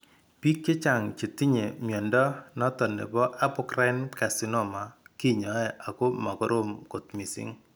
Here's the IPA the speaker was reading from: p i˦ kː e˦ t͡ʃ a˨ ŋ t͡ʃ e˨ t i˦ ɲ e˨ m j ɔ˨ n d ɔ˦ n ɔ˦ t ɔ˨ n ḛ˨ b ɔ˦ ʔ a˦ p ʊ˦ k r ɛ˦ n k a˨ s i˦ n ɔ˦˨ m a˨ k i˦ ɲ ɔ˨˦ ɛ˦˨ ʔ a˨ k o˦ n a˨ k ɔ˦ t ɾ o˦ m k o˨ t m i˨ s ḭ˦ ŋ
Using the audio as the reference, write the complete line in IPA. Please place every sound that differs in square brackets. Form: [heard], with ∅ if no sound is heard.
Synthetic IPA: p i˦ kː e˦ t͡ʃ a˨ ŋ t͡ʃ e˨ t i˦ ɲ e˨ m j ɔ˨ n d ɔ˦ n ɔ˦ t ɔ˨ n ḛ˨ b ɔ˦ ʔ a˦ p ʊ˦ k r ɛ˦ n k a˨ s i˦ n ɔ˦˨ m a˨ k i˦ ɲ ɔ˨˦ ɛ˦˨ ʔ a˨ k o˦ [m] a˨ k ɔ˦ [∅] ɾ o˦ m k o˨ t m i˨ s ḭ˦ ŋ